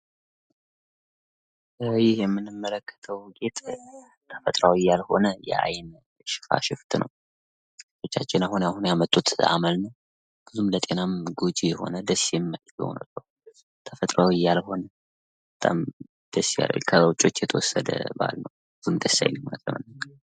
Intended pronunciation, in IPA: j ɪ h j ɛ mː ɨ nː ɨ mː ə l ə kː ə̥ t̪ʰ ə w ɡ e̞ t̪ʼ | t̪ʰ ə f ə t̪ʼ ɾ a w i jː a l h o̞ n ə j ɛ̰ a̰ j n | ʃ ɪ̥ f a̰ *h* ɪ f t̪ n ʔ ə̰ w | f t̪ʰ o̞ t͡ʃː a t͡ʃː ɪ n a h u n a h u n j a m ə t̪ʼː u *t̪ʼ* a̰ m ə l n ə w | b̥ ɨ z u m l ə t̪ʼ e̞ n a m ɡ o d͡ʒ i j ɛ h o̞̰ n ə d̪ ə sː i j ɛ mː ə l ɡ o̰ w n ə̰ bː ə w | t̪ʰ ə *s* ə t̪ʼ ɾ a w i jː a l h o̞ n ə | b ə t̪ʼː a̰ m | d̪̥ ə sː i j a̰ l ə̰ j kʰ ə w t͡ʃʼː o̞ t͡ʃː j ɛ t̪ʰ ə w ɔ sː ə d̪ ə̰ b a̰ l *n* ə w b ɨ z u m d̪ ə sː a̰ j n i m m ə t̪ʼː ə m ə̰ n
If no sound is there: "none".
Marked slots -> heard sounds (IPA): ʃ, t̪, f, n

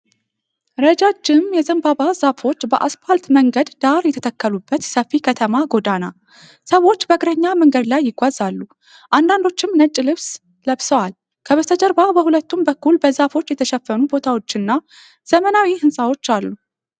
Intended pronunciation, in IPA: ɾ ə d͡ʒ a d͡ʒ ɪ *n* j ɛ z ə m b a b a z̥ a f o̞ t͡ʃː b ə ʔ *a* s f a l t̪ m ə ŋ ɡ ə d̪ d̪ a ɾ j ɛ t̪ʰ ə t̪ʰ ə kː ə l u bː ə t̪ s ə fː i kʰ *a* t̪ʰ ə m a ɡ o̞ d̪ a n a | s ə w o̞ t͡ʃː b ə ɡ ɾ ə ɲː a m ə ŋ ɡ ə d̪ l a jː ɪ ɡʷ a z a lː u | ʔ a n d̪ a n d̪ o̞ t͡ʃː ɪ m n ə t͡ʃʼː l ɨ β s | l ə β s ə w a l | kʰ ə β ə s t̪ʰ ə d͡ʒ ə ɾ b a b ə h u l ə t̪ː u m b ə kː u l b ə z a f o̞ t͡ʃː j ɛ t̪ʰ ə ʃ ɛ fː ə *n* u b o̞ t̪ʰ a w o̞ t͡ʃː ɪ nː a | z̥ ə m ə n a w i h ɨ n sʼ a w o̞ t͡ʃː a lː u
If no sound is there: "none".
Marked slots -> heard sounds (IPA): m, a, ə, n

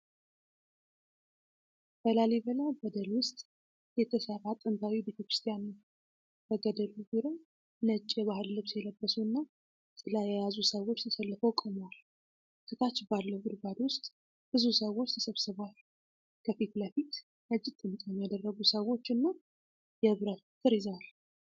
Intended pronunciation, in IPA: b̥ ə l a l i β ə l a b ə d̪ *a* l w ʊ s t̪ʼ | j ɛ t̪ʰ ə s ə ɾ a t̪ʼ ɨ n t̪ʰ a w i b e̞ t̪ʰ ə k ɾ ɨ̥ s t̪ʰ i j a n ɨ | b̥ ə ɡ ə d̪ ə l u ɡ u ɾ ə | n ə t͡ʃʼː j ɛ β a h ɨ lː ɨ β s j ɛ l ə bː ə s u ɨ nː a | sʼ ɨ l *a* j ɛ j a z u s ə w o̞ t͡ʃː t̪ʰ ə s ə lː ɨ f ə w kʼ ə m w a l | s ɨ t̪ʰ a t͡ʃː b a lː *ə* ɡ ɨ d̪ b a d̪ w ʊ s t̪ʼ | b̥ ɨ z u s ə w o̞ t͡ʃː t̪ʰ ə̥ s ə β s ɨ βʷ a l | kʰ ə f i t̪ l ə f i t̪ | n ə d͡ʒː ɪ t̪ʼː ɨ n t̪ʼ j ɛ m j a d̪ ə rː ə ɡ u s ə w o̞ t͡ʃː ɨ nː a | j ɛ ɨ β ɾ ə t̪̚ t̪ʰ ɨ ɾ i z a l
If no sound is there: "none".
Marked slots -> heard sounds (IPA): ə, a, ə

